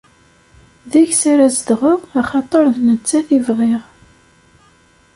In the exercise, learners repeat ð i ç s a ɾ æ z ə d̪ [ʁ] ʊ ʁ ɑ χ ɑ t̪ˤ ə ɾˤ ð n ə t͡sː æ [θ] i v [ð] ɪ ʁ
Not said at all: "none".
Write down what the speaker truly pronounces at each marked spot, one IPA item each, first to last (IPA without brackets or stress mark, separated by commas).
ʁ, θ, ʁ